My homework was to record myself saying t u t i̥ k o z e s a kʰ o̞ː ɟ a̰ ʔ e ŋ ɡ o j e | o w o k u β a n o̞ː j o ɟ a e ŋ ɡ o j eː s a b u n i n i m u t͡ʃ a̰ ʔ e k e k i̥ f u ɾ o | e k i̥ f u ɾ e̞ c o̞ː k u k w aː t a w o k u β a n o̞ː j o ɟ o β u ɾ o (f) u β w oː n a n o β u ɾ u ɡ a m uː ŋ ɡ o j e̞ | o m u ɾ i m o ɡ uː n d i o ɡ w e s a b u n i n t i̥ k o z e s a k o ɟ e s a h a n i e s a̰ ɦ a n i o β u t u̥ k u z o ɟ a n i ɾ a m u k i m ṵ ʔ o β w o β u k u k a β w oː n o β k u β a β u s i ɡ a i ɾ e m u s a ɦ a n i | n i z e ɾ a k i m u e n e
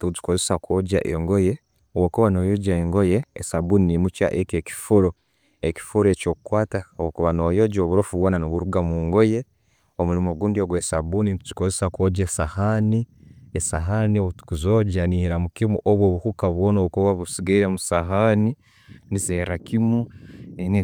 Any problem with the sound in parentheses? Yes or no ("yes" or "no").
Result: no